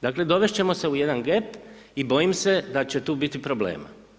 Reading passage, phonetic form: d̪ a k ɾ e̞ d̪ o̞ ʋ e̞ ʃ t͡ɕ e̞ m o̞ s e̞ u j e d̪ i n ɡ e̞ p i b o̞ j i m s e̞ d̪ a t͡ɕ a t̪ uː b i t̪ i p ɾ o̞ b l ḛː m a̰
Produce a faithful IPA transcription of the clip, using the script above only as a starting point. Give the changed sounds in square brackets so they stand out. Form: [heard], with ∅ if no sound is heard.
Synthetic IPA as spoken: d̪ a k [l] e̞ d̪ o̞ ʋ e̞ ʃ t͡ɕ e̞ m o̞ s e̞ u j e d̪ [a] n ɡ e̞ p i b o̞ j i m s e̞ d̪ a t͡ɕ [e] t̪ uː b i t̪ i p ɾ o̞ b l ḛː m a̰